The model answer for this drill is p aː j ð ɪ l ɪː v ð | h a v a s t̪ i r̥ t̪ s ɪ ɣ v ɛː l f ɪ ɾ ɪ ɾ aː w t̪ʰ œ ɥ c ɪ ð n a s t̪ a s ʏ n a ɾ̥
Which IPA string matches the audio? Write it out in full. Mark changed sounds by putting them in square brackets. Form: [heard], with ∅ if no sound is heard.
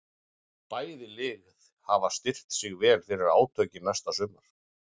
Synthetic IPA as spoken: p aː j ð ɪ l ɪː [ɣ] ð | h a v a s t̪ [ɪ] r̥ t̪ s ɪ ɣ v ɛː l f ɪ ɾ ɪ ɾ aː w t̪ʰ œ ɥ c ɪ [∅] n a s t̪ a s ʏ [m] a ɾ̥